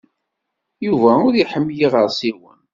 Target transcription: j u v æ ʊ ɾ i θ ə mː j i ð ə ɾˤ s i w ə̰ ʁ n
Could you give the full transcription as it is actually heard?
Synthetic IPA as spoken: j u v æ ʊ ɾ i ħ ə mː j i ʁ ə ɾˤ s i w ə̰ n